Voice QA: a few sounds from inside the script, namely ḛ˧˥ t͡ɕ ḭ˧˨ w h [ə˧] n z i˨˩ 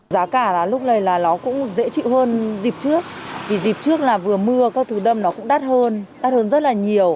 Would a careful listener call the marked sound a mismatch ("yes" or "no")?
yes